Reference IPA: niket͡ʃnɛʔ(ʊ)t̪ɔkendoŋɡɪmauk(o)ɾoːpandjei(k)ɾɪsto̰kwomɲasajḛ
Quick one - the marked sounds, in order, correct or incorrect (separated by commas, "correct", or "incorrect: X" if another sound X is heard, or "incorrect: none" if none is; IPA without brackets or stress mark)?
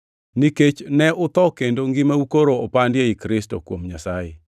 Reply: correct, correct, correct